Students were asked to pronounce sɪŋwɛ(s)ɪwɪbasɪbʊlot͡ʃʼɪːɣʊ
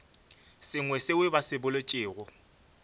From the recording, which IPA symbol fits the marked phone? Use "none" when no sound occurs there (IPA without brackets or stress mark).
s